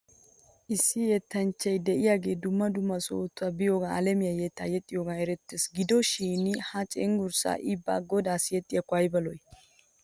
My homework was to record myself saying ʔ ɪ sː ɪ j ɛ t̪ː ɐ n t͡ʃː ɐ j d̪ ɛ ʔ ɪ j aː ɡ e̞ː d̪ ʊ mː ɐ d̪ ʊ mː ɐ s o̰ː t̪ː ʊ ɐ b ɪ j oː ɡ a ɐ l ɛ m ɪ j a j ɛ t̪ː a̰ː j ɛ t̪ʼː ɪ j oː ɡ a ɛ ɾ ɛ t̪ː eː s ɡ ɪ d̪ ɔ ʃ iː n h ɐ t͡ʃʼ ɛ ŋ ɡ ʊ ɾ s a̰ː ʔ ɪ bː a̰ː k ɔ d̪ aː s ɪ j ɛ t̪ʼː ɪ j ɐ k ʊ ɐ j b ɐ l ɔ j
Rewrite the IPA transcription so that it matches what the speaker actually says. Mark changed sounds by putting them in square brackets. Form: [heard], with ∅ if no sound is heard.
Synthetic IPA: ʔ ɪ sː ɪ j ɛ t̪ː ɐ n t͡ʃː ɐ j d̪ ɛ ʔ ɪ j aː ɡ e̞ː d̪ ʊ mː ɐ d̪ ʊ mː ɐ s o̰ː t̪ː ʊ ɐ b ɪ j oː ɡ a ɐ l ɛ m ɪ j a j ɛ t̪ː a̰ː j ɛ t̪ʼː ɪ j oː ɡ a ɛ ɾ ɛ t̪ː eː s ɡ ɪ d̪ ɔ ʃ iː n h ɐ t͡ʃʼ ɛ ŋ ɡ ʊ ɾ s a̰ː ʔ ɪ bː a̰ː [ɡ] ɔ d̪ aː s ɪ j ɛ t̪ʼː ɪ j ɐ k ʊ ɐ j b ɐ l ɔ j